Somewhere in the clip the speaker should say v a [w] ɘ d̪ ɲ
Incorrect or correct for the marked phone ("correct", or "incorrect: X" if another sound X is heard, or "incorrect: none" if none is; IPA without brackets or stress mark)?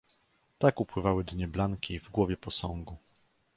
correct